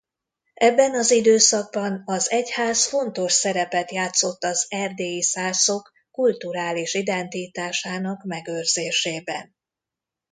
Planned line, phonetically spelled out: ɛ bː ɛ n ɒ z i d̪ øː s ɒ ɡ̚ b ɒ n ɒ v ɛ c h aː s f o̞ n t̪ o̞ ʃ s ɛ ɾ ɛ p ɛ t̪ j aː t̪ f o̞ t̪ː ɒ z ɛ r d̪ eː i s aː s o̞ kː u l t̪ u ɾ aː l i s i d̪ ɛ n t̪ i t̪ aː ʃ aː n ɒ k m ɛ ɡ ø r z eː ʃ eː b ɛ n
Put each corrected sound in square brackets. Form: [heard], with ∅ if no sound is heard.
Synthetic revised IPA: ɛ bː ɛ n ɒ z i d̪ øː s ɒ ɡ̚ b ɒ n ɒ [z] ɛ c h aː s f o̞ n t̪ o̞ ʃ s ɛ ɾ ɛ p ɛ t̪ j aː t̪ [s] o̞ t̪ː ɒ z ɛ r d̪ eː i s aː s o̞ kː u l t̪ u ɾ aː l i [ʃ] i d̪ ɛ n t̪ i t̪ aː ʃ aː n ɒ k m ɛ ɡ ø r z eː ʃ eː b ɛ n

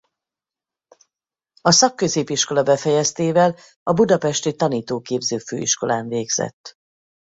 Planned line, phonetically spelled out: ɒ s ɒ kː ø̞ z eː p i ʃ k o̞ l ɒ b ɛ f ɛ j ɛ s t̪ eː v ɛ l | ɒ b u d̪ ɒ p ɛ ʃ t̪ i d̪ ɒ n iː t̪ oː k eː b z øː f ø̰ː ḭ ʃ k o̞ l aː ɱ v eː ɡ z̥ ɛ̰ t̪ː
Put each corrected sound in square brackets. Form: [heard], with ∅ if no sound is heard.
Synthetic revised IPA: ɒ s ɒ kː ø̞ z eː p i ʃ k o̞ l ɒ b ɛ f ɛ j ɛ s t̪ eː v ɛ l | ɒ b u d̪ ɒ p ɛ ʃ t̪ i [t̪] ɒ n iː t̪ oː k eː b z øː f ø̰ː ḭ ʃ k o̞ l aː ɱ v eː ɡ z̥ ɛ̰ t̪ː

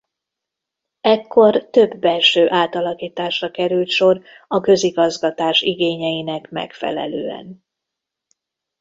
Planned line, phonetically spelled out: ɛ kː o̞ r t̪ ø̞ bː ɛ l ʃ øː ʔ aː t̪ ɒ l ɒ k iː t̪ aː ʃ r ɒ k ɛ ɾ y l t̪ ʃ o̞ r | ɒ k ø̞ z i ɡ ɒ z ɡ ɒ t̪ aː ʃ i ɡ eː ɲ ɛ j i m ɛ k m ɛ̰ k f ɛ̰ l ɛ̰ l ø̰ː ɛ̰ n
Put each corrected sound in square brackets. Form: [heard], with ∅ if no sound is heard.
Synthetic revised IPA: ɛ kː o̞ r t̪ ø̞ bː ɛ l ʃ øː ʔ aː t̪ ɒ l ɒ k iː t̪ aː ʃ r ɒ k ɛ ɾ y l t̪ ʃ o̞ r | ɒ k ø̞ z i ɡ ɒ z ɡ ɒ t̪ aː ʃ i ɡ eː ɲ ɛ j i [n] ɛ k m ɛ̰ k f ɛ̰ l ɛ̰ l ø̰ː ɛ̰ n

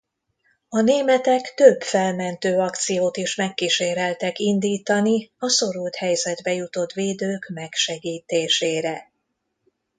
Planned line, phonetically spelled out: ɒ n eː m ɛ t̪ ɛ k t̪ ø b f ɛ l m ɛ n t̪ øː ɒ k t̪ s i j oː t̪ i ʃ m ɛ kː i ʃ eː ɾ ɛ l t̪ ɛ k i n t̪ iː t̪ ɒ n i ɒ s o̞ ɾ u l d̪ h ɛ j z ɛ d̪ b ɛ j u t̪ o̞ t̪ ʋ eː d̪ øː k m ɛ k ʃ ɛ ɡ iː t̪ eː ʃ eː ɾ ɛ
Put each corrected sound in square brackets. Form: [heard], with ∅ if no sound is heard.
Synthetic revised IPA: ɒ n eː m ɛ t̪ ɛ k t̪ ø b f ɛ l m ɛ n t̪ øː ɒ k t̪ s i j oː t̪ i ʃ m ɛ kː i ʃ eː ɾ ɛ l t̪ ɛ k i n [d̪] iː t̪ ɒ n i ɒ s o̞ ɾ u l [t̪] h ɛ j z ɛ d̪ b ɛ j u t̪ o̞ t̪ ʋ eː d̪ øː k m ɛ k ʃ ɛ ɡ iː t̪ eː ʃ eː ɾ ɛ

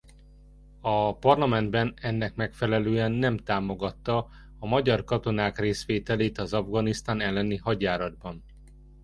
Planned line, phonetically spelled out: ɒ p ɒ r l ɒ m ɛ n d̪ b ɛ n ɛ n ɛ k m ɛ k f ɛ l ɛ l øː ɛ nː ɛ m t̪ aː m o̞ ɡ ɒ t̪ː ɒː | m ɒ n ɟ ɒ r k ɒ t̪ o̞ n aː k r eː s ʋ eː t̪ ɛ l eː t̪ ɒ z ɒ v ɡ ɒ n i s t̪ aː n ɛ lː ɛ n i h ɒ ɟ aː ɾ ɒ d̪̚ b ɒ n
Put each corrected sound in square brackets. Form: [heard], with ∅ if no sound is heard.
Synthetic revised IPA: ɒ p ɒ r l ɒ m ɛ n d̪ b ɛ n ɛ [nː] ɛ k m ɛ k f ɛ l ɛ l øː ɛ nː ɛ m t̪ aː m o̞ ɡ ɒ t̪ː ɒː | m ɒ [∅] ɟ ɒ r k ɒ t̪ o̞ n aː k r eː s ʋ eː t̪ ɛ l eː t̪ ɒ z ɒ v ɡ ɒ n i s t̪ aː n ɛ lː ɛ n i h ɒ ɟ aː ɾ ɒ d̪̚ b ɒ n

